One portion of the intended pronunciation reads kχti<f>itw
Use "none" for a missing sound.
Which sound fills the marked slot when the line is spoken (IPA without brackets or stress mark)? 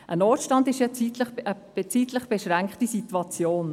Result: s